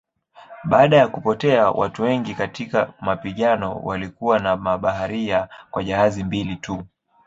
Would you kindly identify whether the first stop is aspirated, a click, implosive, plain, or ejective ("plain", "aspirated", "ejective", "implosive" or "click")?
implosive